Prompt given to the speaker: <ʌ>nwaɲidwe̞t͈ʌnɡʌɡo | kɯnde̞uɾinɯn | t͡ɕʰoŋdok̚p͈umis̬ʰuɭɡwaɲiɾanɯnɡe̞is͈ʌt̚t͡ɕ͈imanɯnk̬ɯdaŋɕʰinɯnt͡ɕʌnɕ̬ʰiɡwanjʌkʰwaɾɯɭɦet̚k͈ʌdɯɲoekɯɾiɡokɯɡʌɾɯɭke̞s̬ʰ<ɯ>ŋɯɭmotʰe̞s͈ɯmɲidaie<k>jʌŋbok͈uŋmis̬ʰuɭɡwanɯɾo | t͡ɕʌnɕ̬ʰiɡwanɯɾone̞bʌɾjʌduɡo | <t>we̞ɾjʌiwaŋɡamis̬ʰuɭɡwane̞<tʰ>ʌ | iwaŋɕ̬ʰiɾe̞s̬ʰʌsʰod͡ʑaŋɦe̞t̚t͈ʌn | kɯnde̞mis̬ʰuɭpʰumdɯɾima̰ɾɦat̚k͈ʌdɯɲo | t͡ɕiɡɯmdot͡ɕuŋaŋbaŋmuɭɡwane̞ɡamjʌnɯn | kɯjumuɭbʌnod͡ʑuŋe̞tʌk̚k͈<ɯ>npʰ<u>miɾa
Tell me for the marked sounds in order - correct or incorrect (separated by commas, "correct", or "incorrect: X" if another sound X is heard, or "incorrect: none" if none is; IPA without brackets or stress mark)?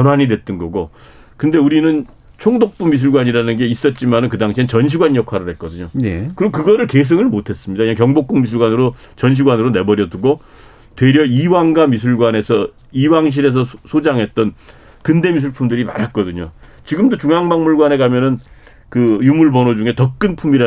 correct, correct, correct, correct, incorrect: sʰ, correct, correct